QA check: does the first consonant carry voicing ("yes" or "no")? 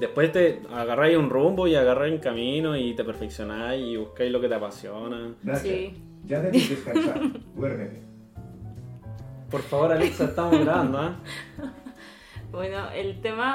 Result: yes